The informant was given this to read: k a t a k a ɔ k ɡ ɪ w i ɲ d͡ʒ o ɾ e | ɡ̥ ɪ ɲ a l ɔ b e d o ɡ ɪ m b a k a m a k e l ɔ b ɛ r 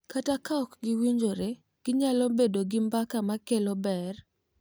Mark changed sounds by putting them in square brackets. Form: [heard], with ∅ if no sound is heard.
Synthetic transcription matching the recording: k a t a k a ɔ k ɡ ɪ w i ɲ d͡ʒ o ɾ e | ɡ̥ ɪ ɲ a l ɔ b e d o ɡ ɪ m b a k a m a k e l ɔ b ɛ r